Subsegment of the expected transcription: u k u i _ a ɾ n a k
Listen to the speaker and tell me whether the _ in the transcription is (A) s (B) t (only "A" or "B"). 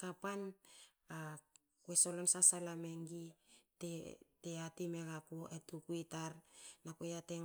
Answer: B